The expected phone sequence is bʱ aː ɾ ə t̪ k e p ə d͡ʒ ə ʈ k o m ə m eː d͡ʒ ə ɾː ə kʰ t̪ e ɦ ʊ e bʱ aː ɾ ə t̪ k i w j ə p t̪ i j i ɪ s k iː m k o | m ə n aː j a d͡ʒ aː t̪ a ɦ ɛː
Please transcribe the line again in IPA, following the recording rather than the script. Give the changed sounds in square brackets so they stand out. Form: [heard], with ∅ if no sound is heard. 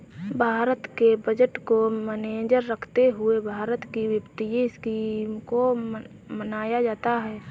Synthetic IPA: bʱ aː ɾ ə t̪ k e [b] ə d͡ʒ ə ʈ k o m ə [n] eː d͡ʒ ə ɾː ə kʰ t̪ e ɦ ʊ e bʱ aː ɾ ə t̪ k i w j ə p t̪ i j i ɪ s k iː m k o | m ə n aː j a d͡ʒ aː t̪ a ɦ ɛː